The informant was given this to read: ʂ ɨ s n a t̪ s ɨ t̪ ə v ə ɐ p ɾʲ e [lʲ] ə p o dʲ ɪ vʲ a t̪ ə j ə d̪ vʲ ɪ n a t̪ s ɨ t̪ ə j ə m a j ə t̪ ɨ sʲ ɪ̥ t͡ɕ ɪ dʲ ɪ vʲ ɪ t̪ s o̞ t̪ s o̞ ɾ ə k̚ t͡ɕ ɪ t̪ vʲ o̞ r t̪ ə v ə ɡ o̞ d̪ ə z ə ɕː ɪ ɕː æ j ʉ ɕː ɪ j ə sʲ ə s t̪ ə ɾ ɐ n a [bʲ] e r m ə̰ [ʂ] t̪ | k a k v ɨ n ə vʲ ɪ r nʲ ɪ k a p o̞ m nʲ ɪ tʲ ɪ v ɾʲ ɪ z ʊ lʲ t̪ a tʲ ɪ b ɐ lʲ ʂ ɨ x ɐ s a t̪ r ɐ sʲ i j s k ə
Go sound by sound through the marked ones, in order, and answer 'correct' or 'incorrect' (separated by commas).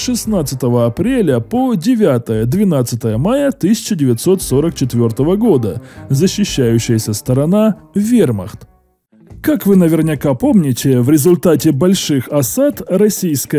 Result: correct, incorrect, incorrect